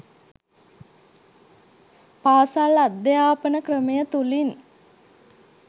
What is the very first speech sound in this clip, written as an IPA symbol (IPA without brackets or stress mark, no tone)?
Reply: p